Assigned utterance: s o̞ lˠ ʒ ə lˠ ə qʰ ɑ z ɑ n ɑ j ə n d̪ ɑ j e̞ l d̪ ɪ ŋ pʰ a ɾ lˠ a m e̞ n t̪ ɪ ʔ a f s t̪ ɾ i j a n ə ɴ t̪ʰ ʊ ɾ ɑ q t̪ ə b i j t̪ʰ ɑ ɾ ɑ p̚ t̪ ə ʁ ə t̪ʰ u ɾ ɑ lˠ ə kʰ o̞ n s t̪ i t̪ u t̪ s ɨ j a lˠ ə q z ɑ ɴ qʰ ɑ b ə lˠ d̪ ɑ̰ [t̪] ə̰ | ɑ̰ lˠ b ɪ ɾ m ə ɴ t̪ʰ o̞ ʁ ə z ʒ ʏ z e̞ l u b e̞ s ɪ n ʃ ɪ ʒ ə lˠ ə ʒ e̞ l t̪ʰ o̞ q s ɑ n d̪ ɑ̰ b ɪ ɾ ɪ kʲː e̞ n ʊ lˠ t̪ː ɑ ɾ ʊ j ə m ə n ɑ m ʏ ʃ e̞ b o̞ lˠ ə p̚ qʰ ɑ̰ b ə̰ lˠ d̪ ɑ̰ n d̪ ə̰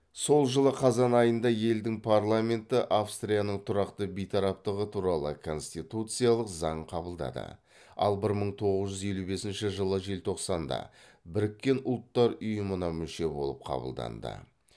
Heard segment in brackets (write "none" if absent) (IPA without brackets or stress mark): d̪